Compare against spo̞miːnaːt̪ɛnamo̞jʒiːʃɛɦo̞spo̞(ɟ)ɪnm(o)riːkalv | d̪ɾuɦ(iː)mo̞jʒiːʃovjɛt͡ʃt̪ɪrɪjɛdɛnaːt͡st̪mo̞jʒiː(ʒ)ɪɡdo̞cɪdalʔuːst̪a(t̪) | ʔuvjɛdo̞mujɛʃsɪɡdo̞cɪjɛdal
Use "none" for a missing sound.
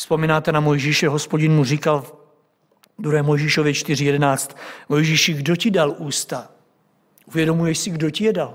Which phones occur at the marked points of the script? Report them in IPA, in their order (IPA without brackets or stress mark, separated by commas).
ɟ, u, ɛː, ʃ, none